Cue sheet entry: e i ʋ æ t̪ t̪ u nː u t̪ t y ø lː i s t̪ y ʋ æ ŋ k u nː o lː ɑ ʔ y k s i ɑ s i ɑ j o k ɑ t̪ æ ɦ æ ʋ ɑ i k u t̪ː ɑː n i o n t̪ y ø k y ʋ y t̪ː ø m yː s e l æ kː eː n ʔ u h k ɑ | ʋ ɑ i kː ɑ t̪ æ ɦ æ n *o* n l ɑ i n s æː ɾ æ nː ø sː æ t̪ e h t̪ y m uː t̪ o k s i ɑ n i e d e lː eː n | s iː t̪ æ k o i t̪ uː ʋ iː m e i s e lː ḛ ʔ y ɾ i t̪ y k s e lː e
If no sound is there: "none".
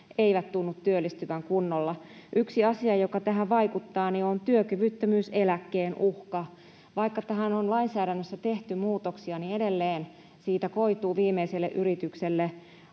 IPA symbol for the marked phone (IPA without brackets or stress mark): o